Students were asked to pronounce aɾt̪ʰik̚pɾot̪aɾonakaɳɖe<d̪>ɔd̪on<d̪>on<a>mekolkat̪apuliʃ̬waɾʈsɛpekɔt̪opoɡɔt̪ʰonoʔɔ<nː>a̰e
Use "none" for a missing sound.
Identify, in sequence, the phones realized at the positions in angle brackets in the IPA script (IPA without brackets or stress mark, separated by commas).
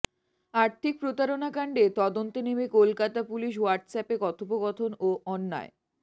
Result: t̪, t̪, e, nː